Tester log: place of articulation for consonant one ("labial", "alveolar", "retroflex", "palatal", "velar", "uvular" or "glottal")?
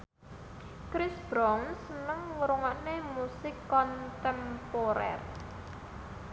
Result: velar